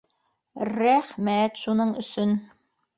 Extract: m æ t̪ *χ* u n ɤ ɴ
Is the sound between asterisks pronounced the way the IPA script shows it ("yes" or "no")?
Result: no